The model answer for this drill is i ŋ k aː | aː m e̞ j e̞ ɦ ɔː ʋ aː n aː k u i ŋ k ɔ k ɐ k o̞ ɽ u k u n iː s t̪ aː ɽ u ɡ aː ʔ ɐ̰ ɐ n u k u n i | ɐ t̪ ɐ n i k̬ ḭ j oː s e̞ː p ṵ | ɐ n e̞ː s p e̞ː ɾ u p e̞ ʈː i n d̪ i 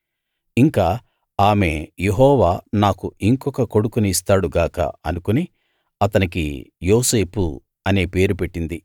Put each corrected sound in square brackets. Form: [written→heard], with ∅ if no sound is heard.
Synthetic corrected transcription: i ŋ k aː | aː m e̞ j e̞ ɦ ɔː ʋ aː n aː k u i ŋ k ɔ k ɐ k o̞ ɽ u k u n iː s t̪ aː ɽ u ɡ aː [ʔ→k] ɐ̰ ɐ n u k u n i | ɐ t̪ ɐ n i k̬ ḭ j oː s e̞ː p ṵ | ɐ n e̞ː [s→∅] p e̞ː ɾ u p e̞ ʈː i n d̪ i